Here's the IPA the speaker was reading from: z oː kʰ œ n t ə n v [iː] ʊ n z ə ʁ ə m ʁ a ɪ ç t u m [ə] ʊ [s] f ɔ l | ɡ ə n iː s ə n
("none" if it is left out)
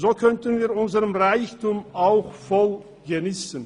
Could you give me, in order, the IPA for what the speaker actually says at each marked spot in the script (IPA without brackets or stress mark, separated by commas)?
iː, a, x